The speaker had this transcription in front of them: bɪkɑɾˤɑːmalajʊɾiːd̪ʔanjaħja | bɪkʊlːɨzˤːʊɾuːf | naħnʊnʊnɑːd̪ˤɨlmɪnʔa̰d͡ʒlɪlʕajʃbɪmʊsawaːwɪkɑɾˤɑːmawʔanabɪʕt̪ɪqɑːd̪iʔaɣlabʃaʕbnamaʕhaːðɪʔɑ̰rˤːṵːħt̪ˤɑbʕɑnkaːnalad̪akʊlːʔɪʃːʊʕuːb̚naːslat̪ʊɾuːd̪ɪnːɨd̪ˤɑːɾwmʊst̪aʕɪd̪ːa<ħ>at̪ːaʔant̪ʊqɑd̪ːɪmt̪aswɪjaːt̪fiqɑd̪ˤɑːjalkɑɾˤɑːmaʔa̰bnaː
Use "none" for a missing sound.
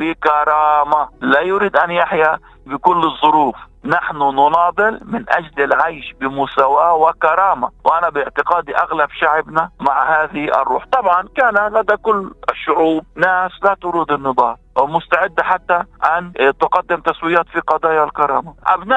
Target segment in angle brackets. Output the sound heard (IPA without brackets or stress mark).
ħ